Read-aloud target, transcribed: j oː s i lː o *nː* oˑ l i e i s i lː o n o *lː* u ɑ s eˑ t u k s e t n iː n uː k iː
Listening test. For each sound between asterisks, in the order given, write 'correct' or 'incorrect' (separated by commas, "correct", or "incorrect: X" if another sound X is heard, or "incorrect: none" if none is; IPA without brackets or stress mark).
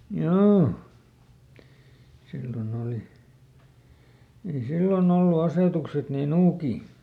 incorrect: n, correct